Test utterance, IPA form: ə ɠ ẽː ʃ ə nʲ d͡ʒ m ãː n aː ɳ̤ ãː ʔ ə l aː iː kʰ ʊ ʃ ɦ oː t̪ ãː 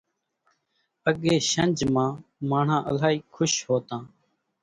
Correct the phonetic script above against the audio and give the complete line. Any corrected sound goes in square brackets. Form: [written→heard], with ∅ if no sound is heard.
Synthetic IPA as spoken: ə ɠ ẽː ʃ ə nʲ d͡ʒ m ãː [n→m] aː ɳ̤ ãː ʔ ə l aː iː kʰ ʊ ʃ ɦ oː t̪ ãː